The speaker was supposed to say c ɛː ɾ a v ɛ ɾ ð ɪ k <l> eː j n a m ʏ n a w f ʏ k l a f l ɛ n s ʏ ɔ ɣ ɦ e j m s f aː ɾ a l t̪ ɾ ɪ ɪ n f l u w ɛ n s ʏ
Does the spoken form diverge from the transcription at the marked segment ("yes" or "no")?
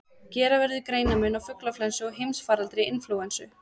yes